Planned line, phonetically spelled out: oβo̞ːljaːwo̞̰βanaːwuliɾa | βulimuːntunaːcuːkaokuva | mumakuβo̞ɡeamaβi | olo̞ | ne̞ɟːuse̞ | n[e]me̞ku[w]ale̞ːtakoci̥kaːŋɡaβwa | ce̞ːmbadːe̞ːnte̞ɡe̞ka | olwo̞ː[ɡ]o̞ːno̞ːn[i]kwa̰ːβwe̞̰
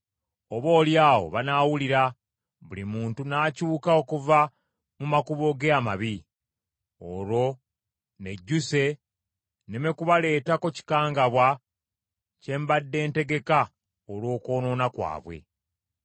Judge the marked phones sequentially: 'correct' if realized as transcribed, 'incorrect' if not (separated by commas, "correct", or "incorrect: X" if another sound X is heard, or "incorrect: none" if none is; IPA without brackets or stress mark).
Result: correct, incorrect: β, incorrect: k, incorrect: a